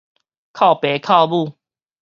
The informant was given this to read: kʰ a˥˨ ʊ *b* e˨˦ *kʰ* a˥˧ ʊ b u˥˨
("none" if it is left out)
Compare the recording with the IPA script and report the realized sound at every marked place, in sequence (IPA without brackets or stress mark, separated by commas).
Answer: p, kʰ